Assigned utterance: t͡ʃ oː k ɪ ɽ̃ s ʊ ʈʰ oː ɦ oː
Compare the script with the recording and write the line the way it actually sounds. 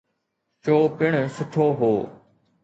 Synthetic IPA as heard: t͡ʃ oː p ɪ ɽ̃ s ʊ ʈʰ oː ɦ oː